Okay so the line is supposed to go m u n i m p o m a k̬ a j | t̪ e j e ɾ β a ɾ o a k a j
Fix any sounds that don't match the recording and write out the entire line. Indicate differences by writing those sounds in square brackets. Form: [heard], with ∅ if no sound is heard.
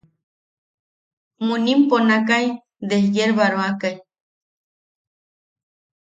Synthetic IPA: m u n i m p o [n] a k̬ a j | [d̪] e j e ɾ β a ɾ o a k a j